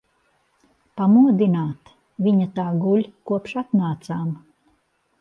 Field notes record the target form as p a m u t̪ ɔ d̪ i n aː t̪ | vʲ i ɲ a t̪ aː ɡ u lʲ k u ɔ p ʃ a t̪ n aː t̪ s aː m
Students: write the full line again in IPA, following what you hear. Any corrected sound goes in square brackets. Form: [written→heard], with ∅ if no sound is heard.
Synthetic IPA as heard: p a m u [t̪→∅] ɔ d̪ i n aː t̪ | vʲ i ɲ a t̪ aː ɡ u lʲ k u ɔ p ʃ a t̪ n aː t̪ s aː m